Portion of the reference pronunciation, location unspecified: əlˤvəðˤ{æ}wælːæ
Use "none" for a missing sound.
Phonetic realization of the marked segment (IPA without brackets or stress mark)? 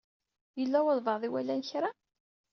i